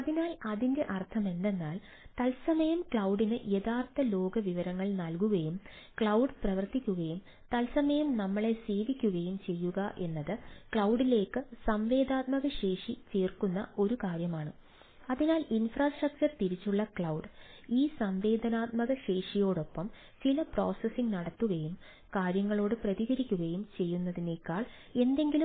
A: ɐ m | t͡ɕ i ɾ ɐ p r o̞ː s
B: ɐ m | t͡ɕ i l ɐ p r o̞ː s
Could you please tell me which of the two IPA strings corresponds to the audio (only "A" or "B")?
B